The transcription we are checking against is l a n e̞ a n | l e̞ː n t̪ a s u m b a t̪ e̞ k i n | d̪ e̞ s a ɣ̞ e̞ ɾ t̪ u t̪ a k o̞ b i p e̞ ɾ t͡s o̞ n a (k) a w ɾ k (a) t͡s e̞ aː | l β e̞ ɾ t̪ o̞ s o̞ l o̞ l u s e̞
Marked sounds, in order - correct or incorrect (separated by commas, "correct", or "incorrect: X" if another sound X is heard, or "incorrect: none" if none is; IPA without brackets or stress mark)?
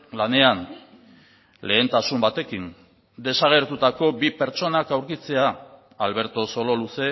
correct, incorrect: i